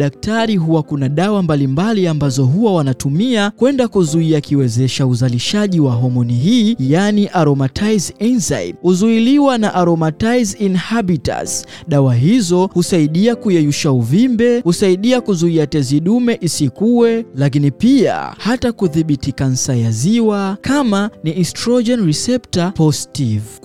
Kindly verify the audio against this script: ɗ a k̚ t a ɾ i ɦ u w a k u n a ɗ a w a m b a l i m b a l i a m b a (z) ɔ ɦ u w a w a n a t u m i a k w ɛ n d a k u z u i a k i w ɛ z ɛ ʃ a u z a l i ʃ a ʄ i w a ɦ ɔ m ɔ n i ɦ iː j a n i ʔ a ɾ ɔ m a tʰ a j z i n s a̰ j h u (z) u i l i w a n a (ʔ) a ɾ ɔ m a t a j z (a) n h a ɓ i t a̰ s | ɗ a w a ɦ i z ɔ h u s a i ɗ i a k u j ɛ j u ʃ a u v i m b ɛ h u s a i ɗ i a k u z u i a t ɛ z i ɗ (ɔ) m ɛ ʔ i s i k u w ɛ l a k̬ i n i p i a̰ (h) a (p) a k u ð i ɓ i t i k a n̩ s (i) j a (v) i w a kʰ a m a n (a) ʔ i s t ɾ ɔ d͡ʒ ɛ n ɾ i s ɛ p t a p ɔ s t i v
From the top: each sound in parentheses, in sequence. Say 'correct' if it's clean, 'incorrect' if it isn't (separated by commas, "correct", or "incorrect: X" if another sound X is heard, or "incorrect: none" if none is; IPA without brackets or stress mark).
correct, correct, correct, incorrect: i, incorrect: u, correct, incorrect: t, incorrect: a, incorrect: z, incorrect: i